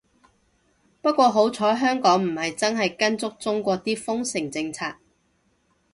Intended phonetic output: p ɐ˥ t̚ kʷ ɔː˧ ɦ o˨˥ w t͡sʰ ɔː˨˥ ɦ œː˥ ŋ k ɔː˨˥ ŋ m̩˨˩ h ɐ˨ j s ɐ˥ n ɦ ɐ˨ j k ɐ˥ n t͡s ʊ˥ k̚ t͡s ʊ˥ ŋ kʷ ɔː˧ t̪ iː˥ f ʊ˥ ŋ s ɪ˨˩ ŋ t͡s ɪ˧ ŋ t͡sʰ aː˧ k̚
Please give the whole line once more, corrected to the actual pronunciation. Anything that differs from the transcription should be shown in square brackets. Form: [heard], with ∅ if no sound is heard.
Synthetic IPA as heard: p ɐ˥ t̚ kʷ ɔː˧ ɦ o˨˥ w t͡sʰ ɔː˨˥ ɦ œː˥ ŋ k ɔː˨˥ ŋ m̩˨˩ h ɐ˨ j [t͡s] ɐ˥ n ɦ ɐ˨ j k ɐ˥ n t͡s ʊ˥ k̚ t͡s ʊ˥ ŋ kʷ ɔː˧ t̪ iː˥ f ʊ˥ ŋ s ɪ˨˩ ŋ t͡s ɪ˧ ŋ t͡sʰ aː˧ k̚